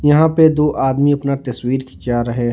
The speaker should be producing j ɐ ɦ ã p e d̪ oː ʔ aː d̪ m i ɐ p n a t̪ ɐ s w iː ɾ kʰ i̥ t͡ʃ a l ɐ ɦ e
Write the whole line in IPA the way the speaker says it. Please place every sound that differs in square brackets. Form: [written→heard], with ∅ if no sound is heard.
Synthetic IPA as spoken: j ɐ ɦ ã p e d̪ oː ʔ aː d̪ m i ɐ p n a t̪ ɐ s w iː ɾ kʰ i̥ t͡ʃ a [l→ɾ] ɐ ɦ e